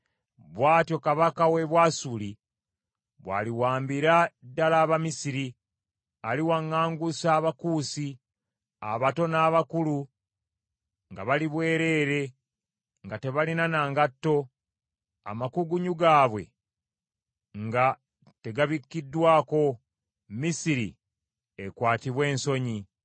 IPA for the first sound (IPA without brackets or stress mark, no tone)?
β